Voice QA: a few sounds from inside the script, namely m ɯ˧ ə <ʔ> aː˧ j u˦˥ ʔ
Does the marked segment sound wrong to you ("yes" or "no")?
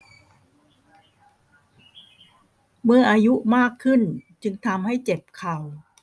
no